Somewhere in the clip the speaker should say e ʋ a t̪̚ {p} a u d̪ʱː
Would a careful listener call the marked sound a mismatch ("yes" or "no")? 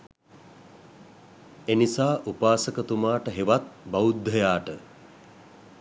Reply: yes